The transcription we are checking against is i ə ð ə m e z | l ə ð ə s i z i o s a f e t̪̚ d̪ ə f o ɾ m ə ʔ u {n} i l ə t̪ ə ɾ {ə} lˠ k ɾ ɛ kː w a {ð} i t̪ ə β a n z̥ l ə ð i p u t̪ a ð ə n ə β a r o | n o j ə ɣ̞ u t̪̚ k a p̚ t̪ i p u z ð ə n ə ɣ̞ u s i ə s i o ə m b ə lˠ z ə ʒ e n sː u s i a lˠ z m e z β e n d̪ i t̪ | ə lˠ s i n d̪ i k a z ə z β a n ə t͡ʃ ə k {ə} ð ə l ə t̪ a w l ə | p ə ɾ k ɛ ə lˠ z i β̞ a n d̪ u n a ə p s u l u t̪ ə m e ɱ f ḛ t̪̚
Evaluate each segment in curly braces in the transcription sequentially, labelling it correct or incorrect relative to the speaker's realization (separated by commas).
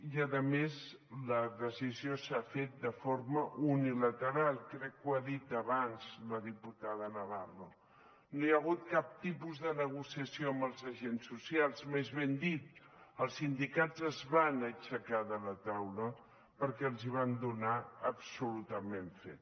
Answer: correct, incorrect, correct, incorrect